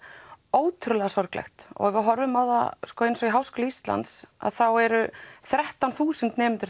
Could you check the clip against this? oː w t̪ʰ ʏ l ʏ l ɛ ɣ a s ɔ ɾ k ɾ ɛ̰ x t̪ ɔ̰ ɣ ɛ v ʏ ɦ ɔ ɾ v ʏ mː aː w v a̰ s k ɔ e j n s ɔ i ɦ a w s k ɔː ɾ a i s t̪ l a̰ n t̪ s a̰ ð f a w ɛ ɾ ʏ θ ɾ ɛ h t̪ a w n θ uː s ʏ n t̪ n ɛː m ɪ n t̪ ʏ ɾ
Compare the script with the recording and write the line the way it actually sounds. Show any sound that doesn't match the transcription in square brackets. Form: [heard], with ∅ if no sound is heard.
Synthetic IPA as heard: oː w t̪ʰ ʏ [ɾ] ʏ l ɛ ɣ a s ɔ ɾ k [l] ɛ̰ x t̪ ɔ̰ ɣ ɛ v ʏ ɦ ɔ ɾ v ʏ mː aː w [ð] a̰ s k ɔ e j n s ɔ i ɦ a w s k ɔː [l] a i s t̪ l a̰ n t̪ s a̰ ð [θ] a w ɛ ɾ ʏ θ ɾ ɛ h t̪ a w n θ uː s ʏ n t̪ n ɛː m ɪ n t̪ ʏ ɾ